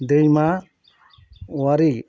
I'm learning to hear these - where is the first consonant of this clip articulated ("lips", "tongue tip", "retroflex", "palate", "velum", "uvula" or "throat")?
tongue tip